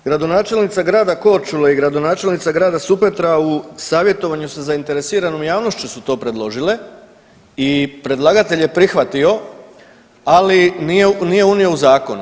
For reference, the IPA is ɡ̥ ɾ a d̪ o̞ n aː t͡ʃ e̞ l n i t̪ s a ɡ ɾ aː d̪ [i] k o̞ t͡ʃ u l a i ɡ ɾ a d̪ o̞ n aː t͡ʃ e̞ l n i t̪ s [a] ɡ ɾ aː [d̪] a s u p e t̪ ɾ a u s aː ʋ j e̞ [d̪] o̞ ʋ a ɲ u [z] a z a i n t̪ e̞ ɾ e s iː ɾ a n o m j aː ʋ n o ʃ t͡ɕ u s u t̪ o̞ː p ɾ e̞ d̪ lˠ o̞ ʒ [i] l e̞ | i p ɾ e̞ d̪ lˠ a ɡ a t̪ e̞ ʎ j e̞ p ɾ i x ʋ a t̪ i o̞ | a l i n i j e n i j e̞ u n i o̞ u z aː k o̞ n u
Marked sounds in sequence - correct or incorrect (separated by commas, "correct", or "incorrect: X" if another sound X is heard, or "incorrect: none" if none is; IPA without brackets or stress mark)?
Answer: incorrect: a, correct, correct, incorrect: t̪, incorrect: s, correct